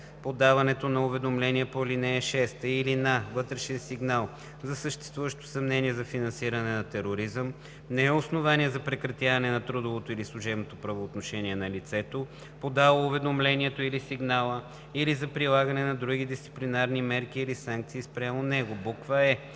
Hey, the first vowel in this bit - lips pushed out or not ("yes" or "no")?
yes